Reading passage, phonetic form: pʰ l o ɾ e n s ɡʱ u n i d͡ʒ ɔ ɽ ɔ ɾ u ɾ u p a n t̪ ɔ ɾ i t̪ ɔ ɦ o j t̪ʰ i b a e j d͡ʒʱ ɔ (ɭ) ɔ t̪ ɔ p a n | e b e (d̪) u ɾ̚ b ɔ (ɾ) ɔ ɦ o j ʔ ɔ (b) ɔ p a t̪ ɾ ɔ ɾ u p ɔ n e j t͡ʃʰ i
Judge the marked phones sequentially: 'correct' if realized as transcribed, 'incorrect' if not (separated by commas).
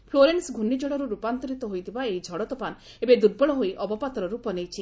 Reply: incorrect, correct, incorrect, correct